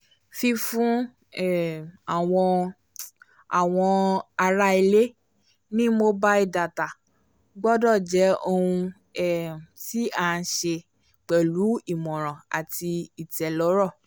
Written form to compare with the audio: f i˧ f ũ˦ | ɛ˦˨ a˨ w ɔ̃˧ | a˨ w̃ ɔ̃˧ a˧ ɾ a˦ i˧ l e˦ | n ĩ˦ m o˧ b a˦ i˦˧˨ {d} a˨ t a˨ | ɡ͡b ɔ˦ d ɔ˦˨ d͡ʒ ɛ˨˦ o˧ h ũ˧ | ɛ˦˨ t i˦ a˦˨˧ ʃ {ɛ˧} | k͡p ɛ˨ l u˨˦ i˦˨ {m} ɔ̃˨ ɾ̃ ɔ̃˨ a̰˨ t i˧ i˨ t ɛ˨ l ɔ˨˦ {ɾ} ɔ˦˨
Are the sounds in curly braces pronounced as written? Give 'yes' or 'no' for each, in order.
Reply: yes, no, yes, yes

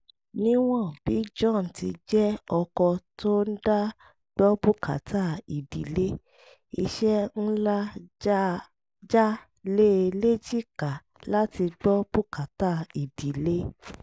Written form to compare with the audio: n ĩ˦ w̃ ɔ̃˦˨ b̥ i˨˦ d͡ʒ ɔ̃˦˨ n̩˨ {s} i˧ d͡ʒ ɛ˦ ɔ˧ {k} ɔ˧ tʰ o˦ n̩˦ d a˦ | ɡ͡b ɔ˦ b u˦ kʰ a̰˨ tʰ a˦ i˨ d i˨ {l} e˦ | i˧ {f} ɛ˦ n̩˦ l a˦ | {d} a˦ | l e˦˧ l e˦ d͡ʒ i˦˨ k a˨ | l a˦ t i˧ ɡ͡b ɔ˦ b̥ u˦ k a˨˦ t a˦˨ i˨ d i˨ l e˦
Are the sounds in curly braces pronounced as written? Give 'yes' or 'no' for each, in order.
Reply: no, yes, yes, no, no

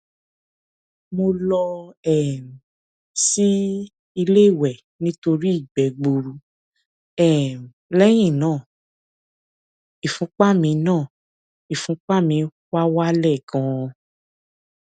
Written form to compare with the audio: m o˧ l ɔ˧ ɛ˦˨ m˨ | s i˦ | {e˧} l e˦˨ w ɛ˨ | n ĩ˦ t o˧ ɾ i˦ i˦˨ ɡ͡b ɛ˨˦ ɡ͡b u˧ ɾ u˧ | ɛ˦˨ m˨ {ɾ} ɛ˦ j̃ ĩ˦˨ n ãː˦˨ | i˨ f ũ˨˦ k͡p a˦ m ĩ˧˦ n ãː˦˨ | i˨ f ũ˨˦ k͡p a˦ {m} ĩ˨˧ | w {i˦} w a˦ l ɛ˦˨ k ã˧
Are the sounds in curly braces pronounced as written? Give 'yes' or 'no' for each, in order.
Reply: no, no, yes, no

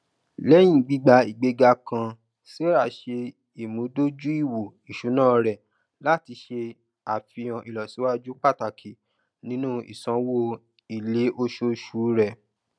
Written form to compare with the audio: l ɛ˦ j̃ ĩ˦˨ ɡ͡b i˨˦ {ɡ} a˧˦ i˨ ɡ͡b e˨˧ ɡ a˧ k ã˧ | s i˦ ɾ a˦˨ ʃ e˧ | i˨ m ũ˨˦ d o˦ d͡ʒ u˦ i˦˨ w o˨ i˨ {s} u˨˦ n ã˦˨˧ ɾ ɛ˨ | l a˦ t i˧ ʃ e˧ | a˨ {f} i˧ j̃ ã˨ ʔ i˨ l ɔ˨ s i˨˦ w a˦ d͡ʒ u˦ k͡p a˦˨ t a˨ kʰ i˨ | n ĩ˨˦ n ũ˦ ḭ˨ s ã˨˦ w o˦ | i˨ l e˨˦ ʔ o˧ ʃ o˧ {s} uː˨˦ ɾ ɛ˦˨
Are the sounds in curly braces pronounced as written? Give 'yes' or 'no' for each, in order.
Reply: no, no, yes, no

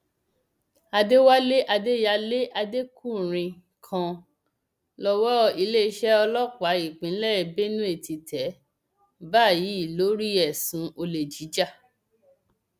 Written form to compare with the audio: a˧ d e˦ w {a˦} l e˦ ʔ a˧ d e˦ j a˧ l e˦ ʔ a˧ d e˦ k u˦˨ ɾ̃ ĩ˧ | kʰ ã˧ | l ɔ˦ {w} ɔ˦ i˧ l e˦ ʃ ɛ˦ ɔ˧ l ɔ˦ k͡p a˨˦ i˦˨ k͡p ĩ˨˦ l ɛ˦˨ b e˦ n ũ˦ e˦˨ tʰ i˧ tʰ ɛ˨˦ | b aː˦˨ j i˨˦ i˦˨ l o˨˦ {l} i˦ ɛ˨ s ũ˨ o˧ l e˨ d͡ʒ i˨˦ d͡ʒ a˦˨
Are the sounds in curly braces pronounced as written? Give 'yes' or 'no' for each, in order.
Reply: yes, yes, no

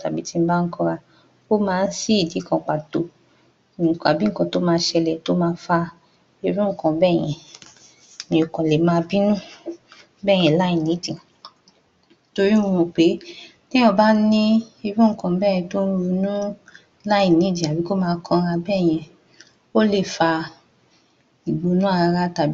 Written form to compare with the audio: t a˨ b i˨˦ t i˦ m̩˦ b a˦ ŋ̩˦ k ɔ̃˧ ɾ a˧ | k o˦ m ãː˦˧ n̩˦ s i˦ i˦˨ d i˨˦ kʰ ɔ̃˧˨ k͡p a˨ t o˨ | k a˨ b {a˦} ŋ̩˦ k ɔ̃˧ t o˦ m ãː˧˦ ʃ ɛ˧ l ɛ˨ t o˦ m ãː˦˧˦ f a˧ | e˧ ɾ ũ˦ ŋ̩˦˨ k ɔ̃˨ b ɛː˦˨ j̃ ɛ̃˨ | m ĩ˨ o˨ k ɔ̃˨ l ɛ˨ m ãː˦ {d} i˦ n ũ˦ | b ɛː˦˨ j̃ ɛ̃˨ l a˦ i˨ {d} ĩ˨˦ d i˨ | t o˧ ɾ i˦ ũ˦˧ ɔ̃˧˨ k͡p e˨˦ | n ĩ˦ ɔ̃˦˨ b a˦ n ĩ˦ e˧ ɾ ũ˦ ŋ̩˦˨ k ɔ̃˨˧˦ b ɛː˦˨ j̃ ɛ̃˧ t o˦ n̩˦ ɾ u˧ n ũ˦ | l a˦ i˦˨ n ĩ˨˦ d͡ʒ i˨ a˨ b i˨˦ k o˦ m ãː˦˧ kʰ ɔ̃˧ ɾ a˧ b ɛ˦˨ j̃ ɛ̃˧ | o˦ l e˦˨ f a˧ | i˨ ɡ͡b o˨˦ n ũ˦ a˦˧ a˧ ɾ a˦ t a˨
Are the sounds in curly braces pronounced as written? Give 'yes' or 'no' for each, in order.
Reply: no, no, no

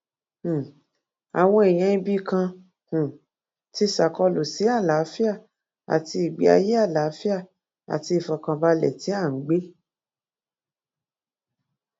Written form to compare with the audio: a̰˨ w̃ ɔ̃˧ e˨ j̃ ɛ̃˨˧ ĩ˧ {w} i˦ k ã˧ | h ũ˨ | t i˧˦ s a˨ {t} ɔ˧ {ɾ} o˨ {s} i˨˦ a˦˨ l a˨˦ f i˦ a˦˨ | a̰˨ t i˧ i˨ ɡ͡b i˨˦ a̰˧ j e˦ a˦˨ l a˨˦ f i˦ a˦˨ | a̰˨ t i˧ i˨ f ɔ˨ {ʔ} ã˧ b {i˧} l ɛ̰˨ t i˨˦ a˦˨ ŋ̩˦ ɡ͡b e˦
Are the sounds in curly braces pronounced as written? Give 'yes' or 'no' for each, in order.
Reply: no, no, no, yes, no, no

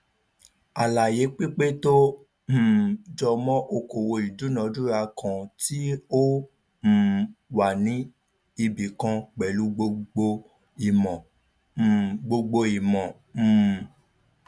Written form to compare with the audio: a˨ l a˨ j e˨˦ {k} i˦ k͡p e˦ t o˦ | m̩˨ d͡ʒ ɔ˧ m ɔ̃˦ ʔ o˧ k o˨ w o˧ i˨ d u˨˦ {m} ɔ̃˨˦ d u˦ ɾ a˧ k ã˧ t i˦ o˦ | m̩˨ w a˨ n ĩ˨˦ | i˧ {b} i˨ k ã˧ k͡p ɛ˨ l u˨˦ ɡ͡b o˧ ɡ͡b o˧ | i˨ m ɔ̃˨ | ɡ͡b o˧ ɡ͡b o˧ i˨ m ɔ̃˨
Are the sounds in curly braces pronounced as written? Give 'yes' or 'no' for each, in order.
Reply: no, no, yes

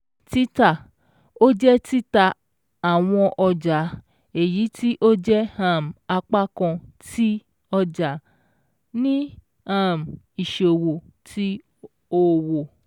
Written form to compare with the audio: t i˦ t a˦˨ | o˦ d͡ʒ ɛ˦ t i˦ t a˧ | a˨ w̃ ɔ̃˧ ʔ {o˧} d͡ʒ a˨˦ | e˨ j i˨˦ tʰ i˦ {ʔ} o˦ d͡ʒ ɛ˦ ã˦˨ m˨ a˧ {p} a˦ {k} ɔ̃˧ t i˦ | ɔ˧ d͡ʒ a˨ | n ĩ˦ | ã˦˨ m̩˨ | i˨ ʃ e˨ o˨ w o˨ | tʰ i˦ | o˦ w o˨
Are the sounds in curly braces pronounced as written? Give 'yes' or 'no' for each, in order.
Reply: no, yes, no, yes

